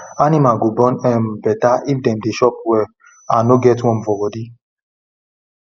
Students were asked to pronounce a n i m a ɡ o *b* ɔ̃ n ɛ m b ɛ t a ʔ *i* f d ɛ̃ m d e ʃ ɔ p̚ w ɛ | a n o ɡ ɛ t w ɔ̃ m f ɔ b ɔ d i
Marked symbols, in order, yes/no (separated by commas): yes, yes